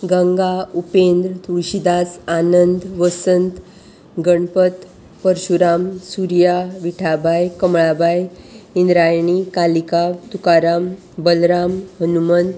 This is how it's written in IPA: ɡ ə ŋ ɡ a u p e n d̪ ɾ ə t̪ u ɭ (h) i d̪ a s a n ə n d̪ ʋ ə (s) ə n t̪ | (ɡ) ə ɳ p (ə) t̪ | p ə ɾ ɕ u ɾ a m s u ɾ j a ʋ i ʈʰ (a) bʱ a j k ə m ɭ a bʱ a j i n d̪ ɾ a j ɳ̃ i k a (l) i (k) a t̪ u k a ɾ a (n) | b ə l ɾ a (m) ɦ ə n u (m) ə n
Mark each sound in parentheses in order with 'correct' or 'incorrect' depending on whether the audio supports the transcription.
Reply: incorrect, correct, correct, correct, correct, correct, correct, incorrect, correct, correct

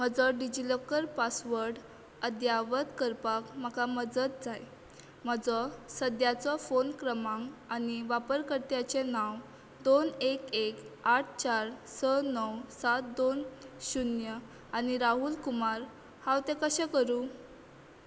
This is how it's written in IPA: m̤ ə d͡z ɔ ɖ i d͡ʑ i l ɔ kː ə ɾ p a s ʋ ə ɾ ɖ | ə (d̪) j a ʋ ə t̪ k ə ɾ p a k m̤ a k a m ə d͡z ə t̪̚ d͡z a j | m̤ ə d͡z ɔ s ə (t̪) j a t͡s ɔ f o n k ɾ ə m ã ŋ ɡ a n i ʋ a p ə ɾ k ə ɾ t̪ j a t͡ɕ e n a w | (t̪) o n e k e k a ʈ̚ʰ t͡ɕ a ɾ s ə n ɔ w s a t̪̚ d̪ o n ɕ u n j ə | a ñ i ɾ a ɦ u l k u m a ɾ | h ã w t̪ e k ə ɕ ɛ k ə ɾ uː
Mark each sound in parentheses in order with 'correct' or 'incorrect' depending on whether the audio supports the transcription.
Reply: correct, incorrect, incorrect

